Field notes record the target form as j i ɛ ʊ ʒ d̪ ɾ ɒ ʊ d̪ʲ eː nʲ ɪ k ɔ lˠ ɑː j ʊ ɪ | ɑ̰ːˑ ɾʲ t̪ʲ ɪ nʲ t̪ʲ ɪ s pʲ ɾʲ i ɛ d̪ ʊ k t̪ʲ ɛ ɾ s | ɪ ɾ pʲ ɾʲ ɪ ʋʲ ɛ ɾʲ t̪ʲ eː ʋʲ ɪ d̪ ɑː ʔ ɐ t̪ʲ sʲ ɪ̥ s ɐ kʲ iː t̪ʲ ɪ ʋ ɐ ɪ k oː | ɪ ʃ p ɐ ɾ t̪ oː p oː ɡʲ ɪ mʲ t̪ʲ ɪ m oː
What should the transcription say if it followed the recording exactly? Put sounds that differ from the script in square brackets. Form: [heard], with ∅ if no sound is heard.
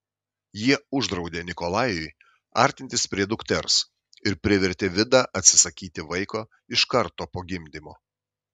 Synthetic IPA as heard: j i ɛ ʊ ʒ d̪ ɾ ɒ ʊ d̪ʲ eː nʲ ɪ k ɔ lˠ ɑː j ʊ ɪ | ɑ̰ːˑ ɾʲ t̪ʲ ɪ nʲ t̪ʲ ɪ s pʲ ɾʲ i ɛ d̪ ʊ k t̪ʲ ɛ ɾ s | ɪ ɾ pʲ ɾʲ ɪ ʋʲ ɛ ɾʲ t̪ʲ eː ʋʲ ɪ d̪ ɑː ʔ ɐ t̪ʲ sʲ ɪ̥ s ɐ kʲ iː t̪ʲ ɪ ʋ ɐ ɪ k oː | ɪ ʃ [k] ɐ ɾ t̪ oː p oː ɡʲ ɪ mʲ [d̪ʲ] ɪ m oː